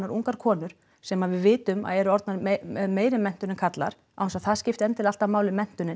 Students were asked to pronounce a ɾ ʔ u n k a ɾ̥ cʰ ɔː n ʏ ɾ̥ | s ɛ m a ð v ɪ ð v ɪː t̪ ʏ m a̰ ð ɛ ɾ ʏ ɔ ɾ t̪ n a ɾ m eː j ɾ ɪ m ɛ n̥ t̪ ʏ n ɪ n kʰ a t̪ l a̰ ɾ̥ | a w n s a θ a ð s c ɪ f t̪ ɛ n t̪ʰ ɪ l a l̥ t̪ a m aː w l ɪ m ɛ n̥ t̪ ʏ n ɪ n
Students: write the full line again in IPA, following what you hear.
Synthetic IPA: a ɾ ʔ u ŋ k a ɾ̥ kʰ ɔː n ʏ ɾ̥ | s ɛ m a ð v ɪ ð v ɪː t̪ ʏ m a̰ ð ɛ ɾ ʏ ɔ ɾ t̪ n a ɾ m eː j ɾ ɪ m ɛ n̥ t̪ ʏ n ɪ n kʰ a t̪ l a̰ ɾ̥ | a w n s a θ a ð s c ɪ f t̪ ɛ n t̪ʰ ɪ l a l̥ t̪ a m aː w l ɪ m ɛ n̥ t̪ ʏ n ɪ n